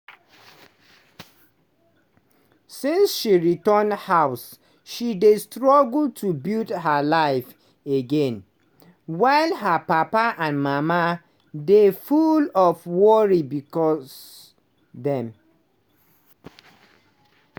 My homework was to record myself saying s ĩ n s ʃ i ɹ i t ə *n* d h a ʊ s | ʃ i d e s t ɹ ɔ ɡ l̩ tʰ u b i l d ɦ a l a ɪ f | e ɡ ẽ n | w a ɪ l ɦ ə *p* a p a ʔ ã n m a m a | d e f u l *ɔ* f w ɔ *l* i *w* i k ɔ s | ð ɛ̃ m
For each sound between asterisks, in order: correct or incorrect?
correct, correct, correct, incorrect, incorrect

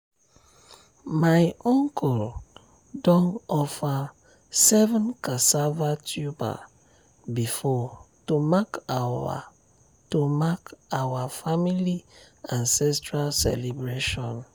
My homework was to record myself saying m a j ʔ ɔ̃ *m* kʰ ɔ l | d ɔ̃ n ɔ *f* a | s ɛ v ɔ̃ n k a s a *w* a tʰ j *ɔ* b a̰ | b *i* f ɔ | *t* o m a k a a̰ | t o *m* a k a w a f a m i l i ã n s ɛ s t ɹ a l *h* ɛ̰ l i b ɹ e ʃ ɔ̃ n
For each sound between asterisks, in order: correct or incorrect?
incorrect, correct, incorrect, incorrect, correct, correct, correct, incorrect

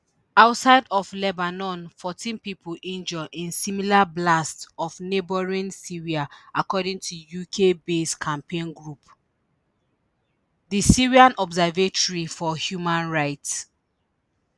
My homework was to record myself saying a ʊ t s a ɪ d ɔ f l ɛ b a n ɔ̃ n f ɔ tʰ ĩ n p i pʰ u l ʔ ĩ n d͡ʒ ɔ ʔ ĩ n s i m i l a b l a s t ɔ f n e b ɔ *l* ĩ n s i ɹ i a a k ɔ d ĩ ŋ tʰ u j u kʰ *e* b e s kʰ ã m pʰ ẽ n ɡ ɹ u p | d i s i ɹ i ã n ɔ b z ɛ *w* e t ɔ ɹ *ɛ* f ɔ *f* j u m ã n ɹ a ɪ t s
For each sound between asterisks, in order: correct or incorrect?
incorrect, correct, incorrect, incorrect, incorrect

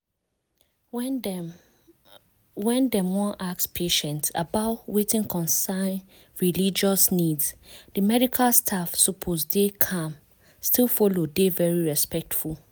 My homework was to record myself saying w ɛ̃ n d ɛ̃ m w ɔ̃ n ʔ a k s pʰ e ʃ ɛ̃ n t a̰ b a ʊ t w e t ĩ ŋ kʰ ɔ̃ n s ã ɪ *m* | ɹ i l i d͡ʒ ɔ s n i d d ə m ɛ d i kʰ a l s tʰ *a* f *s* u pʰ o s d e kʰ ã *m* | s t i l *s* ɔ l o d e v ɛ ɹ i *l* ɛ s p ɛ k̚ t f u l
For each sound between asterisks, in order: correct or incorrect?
incorrect, correct, correct, correct, incorrect, incorrect

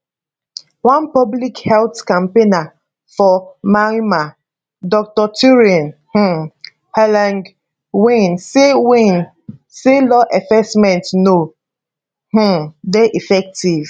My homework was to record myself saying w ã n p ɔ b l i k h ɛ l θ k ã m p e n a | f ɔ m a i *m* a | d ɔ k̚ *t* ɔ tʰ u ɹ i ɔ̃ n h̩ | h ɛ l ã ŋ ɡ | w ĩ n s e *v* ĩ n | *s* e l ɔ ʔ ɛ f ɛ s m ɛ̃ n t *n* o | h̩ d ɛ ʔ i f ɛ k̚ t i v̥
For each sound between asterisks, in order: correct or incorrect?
correct, correct, incorrect, correct, correct

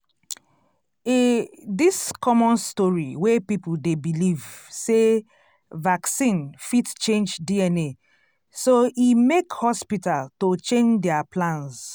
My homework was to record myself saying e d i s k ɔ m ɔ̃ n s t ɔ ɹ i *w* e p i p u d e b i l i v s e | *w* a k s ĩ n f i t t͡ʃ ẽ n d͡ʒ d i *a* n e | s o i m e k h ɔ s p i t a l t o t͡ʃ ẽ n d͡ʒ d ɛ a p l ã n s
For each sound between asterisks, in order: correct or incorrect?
correct, incorrect, incorrect

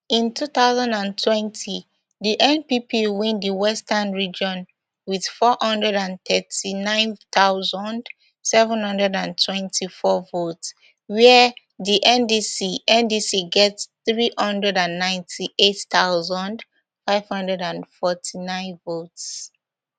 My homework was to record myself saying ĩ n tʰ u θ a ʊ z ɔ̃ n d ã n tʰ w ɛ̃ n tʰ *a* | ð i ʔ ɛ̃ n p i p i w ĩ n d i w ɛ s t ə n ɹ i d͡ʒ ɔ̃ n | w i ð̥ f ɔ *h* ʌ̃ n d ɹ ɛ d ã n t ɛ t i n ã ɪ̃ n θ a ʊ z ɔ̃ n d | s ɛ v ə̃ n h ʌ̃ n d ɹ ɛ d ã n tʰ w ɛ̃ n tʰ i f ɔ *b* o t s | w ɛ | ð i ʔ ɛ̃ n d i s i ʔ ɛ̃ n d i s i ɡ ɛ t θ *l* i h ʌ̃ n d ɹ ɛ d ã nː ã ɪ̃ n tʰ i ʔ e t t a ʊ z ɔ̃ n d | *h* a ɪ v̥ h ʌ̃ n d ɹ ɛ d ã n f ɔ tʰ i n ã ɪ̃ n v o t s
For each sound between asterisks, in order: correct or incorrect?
incorrect, correct, incorrect, incorrect, incorrect

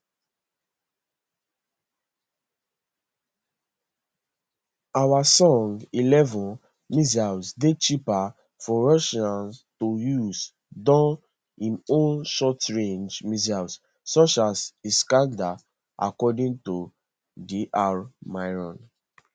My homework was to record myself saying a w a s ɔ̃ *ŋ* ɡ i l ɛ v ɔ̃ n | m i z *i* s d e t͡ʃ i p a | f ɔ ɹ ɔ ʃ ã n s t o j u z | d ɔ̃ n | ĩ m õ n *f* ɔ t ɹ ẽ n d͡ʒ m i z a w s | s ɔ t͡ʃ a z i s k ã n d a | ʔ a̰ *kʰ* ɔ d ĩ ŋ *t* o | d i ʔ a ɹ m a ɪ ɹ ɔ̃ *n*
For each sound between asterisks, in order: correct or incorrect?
correct, incorrect, incorrect, incorrect, correct, correct

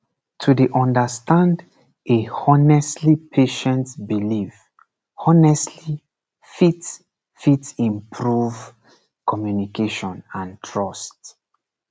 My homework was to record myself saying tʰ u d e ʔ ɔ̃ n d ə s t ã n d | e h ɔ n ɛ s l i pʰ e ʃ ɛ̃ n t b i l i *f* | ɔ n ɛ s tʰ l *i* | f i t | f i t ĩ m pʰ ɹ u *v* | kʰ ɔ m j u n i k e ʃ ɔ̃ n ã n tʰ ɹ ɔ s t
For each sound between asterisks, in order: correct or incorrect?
incorrect, correct, correct

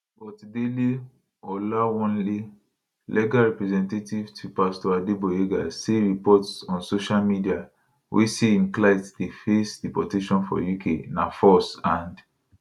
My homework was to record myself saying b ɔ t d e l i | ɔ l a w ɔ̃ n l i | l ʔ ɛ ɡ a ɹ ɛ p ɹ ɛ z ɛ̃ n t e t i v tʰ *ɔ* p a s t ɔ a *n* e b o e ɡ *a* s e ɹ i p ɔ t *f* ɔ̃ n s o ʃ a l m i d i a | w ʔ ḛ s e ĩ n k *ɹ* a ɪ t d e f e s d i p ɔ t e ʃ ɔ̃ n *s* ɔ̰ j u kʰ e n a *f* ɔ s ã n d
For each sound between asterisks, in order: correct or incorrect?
incorrect, incorrect, correct, incorrect, incorrect, incorrect, correct

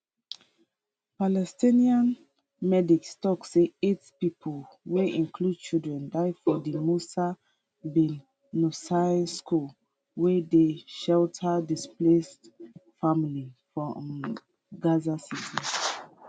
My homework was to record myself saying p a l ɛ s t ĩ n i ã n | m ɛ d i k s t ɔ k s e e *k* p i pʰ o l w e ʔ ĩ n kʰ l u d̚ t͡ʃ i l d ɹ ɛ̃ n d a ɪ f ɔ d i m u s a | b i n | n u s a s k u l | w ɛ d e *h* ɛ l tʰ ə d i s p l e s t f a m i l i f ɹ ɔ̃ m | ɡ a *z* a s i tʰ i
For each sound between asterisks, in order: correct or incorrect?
incorrect, incorrect, correct

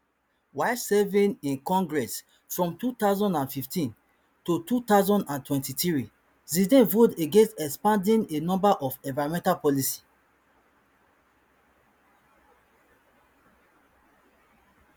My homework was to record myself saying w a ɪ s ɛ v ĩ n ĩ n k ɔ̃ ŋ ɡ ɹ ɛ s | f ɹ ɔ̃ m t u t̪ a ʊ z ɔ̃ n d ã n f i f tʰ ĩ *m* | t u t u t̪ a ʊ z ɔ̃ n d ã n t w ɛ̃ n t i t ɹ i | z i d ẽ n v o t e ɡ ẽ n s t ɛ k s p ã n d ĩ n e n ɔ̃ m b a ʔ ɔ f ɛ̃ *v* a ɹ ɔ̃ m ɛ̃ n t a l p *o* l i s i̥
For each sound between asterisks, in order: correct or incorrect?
incorrect, correct, incorrect

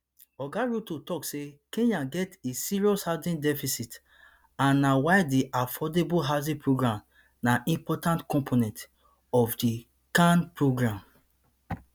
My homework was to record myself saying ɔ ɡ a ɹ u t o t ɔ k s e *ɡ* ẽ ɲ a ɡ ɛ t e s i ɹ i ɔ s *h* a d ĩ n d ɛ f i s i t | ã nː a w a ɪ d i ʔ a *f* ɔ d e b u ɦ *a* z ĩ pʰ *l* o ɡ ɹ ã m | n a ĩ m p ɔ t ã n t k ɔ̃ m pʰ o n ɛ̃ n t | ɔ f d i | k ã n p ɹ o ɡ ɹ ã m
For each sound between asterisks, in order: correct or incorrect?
incorrect, correct, correct, correct, incorrect

